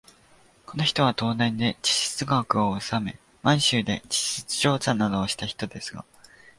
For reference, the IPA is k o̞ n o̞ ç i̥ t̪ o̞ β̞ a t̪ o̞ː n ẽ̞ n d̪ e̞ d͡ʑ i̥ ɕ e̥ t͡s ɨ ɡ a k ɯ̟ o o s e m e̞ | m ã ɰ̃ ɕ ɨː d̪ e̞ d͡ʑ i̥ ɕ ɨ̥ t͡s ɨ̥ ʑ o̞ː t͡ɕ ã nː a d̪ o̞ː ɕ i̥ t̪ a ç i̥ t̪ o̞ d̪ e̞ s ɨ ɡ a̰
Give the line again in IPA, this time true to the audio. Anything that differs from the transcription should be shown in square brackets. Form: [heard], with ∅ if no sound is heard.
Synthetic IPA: k o̞ n o̞ ç i̥ t̪ o̞ β̞ a t̪ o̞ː n ẽ̞ n d̪ e̞ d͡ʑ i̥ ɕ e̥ t͡s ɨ ɡ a k ɯ̟ o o s [a] m e̞ | m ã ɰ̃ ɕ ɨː d̪ e̞ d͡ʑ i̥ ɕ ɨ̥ t͡s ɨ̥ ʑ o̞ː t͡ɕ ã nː a d̪ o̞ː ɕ i̥ t̪ a ç i̥ t̪ o̞ d̪ e̞ s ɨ ɡ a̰

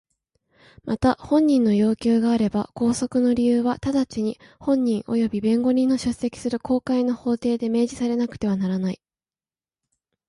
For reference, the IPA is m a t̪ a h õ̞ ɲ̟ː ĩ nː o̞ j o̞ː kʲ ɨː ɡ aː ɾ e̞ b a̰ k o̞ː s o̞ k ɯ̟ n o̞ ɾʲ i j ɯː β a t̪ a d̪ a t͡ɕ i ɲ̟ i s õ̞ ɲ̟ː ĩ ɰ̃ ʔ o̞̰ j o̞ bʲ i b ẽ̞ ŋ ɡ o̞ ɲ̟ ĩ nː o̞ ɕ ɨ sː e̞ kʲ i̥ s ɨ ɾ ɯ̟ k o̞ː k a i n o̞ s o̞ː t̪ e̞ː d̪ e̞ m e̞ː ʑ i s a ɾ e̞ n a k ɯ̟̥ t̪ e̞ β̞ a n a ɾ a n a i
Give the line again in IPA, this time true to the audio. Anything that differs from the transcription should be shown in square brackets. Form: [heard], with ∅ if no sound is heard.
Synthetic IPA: m a t̪ a h õ̞ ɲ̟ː ĩ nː o̞ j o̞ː kʲ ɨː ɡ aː ɾ e̞ b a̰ k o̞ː s o̞ k ɯ̟ n o̞ ɾʲ i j ɯː β a t̪ a d̪ a t͡ɕ i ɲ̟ i [h] õ̞ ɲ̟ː ĩ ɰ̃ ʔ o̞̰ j o̞ bʲ i b ẽ̞ ŋ ɡ o̞ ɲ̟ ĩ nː o̞ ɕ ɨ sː e̞ kʲ i̥ s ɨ ɾ ɯ̟ k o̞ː k a i n o̞ [h] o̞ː t̪ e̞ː d̪ e̞ m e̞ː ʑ i s a ɾ e̞ n a k ɯ̟̥ t̪ e̞ β̞ a n a ɾ a n a i

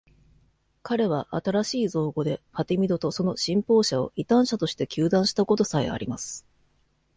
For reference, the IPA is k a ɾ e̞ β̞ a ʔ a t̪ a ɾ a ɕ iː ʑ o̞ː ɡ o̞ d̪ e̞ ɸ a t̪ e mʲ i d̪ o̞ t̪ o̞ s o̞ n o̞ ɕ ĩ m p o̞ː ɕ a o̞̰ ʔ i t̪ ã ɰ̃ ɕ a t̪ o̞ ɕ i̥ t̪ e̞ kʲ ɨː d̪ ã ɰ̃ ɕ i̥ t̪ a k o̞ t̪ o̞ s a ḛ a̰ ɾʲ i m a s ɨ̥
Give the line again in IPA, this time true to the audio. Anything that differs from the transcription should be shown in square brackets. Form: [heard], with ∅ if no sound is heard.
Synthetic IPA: k a ɾ e̞ β̞ a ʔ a t̪ a ɾ a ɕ iː [z] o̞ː ɡ o̞ d̪ e̞ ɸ a t̪ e mʲ i d̪ o̞ t̪ o̞ s o̞ n o̞ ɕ ĩ m p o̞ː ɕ a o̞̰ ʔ i t̪ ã ɰ̃ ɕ a t̪ o̞ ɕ i̥ t̪ e̞ kʲ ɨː d̪ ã ɰ̃ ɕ i̥ t̪ a k o̞ t̪ o̞ s a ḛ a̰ ɾʲ i m a s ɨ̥

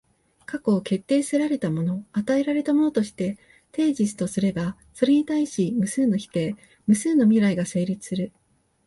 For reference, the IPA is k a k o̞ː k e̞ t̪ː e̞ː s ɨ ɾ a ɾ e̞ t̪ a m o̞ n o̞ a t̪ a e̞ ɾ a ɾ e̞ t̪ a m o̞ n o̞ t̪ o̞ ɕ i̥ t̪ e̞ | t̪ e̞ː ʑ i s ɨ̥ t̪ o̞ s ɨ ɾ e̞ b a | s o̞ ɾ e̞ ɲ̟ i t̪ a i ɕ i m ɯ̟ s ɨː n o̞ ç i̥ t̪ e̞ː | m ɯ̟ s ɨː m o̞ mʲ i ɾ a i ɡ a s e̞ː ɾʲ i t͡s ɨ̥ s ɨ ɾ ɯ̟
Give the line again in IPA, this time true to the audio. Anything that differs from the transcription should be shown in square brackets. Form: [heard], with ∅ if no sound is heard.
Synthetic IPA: k a k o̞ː k e̞ t̪ː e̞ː s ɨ ɾ a ɾ e̞ t̪ a m o̞ n o̞ a t̪ a e̞ ɾ a ɾ e̞ t̪ a m o̞ n o̞ t̪ o̞ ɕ i̥ t̪ e̞ | t̪ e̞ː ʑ i s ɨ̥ t̪ o̞ s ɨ ɾ e̞ b a | s o̞ ɾ e̞ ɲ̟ i t̪ a i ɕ i m ɯ̟ s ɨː n o̞ ç i̥ t̪ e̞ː | m ɯ̟ s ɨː [n] o̞ mʲ i ɾ a i ɡ a s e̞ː ɾʲ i t͡s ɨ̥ s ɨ ɾ ɯ̟

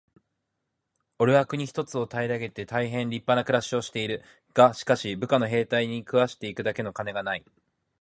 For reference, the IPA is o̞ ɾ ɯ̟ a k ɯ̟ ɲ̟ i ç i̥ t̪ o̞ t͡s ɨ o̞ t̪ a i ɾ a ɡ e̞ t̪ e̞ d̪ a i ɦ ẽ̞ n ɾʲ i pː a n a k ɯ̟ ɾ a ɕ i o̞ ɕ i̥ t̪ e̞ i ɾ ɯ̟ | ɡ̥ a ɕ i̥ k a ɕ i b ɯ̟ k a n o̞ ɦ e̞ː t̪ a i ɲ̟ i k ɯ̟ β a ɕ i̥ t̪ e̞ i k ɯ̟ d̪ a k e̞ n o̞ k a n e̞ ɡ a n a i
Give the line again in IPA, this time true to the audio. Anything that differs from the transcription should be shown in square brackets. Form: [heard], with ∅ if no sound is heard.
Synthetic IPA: o̞ ɾ ɯ̟ a k ɯ̟ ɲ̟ i ç i̥ t̪ o̞ t͡s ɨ o̞ t̪ a i ɾ a ɡ e̞ t̪ e̞ [t̪] a i ɦ ẽ̞ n ɾʲ i pː a n a k ɯ̟ ɾ a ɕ i o̞ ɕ i̥ t̪ e̞ i ɾ ɯ̟ | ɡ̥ a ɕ i̥ k a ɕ i b ɯ̟ k a n o̞ ɦ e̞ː t̪ a i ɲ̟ i k ɯ̟ β a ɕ i̥ t̪ e̞ i k ɯ̟ d̪ a k e̞ n o̞ k a n e̞ ɡ a n a i

